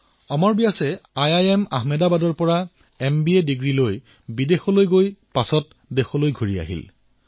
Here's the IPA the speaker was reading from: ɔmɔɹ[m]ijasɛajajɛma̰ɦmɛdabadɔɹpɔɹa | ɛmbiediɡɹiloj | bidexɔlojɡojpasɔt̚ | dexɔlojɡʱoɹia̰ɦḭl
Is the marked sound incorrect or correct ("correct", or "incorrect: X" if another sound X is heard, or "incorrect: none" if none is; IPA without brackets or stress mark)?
incorrect: b